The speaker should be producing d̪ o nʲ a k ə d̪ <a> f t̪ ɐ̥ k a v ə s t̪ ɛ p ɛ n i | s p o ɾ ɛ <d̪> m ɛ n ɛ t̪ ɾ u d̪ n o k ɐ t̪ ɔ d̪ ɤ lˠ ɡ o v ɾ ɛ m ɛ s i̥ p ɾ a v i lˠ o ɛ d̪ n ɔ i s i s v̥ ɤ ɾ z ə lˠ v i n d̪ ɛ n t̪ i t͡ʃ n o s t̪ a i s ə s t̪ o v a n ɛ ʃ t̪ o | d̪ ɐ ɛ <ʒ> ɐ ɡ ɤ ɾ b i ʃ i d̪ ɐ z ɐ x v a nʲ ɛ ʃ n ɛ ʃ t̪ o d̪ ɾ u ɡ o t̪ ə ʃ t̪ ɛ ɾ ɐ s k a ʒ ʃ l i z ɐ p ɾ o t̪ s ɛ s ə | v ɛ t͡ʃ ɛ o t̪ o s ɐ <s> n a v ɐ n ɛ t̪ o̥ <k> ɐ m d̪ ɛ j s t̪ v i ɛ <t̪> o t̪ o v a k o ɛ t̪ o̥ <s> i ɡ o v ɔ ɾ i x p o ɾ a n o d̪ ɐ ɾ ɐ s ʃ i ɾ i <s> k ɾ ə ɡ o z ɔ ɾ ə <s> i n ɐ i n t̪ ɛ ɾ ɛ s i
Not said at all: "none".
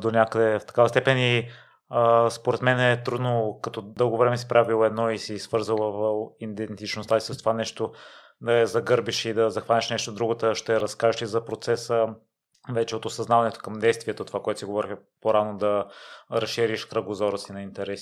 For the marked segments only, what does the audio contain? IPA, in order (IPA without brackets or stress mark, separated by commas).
ɛ, t̪, z, z, k, t̪, s, ʃ, s